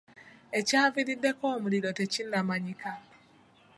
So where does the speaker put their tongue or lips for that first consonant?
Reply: palate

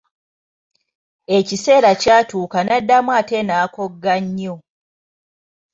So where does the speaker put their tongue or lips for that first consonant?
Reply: palate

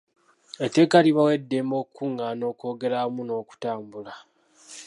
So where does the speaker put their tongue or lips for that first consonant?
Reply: tongue tip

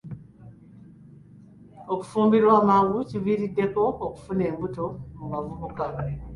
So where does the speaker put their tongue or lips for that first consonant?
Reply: velum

